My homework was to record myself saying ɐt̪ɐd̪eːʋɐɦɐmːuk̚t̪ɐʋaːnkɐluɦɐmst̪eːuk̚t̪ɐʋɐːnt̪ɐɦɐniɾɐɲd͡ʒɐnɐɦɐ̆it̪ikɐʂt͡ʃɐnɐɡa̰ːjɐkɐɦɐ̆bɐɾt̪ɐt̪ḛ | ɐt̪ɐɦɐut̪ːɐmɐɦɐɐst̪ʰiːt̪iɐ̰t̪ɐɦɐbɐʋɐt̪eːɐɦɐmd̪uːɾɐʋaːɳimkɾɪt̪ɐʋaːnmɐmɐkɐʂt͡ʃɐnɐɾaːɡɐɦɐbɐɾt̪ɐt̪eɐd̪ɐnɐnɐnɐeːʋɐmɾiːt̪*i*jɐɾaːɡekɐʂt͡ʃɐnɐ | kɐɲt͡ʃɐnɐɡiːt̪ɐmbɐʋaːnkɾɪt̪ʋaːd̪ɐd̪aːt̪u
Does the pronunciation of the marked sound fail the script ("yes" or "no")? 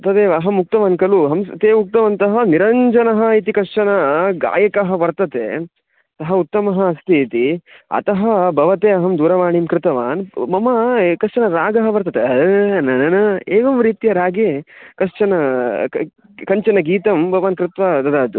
no